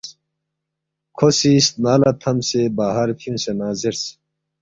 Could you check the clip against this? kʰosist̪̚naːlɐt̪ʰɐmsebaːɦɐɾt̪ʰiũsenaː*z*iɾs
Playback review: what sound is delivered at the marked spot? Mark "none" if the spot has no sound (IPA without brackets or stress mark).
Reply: z